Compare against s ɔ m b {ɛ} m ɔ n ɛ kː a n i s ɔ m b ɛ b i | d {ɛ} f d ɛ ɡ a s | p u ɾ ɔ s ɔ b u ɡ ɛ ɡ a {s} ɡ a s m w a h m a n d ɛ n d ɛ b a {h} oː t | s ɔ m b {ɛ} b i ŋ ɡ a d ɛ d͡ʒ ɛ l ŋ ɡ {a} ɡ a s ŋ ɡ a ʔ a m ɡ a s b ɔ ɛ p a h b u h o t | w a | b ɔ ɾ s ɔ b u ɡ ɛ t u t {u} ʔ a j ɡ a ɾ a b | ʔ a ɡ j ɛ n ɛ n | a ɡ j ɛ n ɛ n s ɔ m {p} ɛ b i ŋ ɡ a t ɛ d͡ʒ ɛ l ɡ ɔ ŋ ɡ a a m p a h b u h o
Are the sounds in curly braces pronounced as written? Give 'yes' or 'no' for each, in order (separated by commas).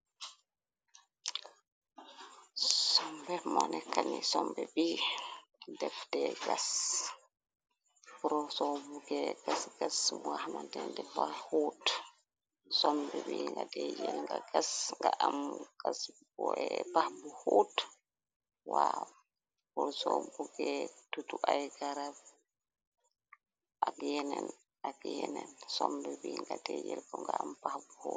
yes, yes, yes, yes, yes, yes, yes, no